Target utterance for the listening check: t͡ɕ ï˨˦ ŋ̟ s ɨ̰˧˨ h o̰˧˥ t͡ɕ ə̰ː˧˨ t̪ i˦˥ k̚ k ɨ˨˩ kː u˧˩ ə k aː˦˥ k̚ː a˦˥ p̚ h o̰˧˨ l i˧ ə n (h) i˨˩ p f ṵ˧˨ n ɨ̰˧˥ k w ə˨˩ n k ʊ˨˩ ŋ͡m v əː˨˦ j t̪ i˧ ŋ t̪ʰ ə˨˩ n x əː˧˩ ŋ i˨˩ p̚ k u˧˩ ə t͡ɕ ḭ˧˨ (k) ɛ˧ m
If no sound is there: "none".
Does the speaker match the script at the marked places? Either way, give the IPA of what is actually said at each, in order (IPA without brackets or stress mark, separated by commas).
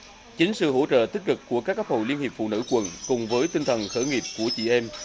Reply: h, ʔ